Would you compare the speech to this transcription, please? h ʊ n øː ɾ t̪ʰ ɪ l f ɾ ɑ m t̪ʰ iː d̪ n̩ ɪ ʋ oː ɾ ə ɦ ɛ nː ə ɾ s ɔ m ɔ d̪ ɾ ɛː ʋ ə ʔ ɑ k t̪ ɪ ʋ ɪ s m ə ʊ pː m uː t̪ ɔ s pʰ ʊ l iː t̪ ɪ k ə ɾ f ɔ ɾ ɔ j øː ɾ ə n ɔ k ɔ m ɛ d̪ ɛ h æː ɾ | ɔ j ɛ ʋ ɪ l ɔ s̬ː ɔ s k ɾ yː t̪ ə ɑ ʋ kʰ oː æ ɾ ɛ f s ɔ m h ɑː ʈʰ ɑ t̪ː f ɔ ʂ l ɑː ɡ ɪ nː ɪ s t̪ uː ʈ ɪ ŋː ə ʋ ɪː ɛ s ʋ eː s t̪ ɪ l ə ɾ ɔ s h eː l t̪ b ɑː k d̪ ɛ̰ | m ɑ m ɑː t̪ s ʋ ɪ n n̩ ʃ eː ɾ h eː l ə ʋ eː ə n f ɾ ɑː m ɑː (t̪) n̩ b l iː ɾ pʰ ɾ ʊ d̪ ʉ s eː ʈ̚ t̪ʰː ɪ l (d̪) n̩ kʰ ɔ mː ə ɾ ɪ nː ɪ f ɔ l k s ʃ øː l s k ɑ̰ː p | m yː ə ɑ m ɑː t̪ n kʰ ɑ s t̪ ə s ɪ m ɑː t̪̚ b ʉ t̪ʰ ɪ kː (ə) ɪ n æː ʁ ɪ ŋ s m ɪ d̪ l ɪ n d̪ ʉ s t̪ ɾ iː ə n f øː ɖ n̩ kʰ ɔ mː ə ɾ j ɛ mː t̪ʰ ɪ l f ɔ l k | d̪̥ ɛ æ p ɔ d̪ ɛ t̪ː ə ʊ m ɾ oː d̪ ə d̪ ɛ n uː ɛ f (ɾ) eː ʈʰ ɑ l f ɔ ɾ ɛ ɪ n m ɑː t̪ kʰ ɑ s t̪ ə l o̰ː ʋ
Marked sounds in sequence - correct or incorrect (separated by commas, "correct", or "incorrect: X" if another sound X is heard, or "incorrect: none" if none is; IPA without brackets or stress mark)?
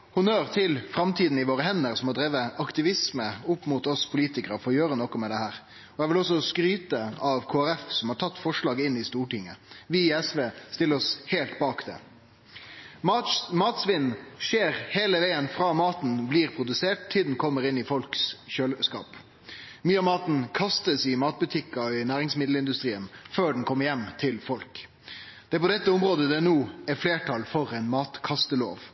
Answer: correct, correct, incorrect: ɑ, incorrect: l